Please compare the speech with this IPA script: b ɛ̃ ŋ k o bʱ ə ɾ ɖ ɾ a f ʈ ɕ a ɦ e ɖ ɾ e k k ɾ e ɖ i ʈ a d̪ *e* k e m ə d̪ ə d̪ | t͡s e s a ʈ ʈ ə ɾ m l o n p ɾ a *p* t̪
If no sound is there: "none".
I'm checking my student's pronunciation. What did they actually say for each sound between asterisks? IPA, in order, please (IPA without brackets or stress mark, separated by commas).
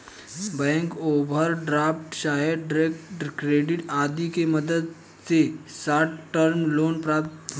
i, p